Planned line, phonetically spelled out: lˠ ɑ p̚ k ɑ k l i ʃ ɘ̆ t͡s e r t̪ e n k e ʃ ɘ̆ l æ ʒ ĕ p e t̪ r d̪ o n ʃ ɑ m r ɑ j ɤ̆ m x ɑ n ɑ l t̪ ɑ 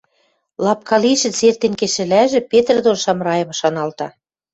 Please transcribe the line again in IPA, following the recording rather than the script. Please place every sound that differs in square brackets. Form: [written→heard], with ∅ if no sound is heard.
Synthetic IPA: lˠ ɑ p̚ k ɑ [k→∅] l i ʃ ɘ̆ t͡s e r t̪ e n k e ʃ ɘ̆ l æ ʒ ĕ p e t̪ r d̪ o n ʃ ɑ m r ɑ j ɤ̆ m [x→ʃ] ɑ n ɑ l t̪ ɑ